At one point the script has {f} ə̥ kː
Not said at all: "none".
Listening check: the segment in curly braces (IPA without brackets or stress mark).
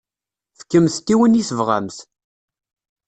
f